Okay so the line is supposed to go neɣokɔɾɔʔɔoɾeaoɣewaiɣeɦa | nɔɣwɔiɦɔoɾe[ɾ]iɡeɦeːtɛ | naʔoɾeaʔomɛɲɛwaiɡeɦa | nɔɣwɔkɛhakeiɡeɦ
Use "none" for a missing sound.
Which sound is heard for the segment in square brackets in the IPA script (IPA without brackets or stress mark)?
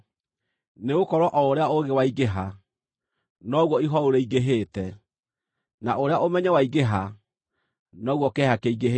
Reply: none